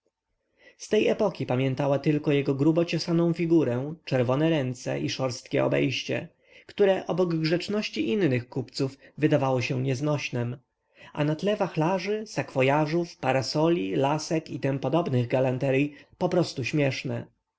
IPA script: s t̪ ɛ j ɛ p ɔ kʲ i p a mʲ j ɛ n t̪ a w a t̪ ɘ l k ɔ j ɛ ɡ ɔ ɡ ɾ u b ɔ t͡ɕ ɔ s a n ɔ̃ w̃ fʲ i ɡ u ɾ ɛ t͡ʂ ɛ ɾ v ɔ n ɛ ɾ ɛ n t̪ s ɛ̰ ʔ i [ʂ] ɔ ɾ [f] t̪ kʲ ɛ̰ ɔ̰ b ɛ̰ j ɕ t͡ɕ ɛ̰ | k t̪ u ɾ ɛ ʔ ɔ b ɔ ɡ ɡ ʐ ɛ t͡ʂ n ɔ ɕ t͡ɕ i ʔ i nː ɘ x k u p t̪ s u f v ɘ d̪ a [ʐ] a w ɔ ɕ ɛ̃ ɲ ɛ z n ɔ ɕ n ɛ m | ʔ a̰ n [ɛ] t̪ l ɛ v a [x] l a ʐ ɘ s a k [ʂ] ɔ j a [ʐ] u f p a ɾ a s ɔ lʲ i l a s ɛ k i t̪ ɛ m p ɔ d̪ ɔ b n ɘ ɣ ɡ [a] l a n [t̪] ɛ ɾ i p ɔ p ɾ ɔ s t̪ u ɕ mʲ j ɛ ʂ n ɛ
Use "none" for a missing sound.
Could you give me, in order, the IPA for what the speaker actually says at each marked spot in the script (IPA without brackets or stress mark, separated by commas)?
ʂ, s, v, a, x, f, ʐ, a, t̪